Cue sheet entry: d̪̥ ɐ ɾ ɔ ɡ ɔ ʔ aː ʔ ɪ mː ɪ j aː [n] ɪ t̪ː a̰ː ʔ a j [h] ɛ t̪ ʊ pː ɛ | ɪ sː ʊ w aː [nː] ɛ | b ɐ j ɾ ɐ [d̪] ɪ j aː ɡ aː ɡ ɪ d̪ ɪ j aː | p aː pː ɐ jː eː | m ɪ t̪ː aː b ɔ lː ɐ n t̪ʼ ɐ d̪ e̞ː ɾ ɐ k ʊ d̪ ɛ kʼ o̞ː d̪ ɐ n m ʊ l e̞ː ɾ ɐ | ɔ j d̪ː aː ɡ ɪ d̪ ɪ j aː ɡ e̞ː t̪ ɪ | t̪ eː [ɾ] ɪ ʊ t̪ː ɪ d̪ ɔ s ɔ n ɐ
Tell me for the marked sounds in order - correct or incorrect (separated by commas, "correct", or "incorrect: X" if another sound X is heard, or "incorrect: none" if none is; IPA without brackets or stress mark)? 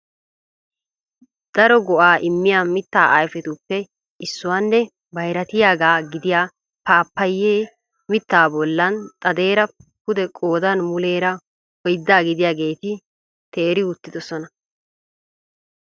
incorrect: m, incorrect: f, correct, incorrect: t̪, correct